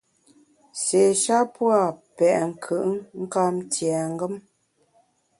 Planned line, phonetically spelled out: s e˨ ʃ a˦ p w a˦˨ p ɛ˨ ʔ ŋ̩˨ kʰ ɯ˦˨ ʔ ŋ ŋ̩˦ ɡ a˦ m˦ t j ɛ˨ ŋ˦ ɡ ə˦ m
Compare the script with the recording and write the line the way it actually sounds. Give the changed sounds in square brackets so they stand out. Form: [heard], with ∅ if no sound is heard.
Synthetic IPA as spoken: s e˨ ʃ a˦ p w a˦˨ p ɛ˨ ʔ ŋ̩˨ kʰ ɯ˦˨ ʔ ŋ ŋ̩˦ [k] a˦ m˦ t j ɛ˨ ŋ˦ ɡ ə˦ m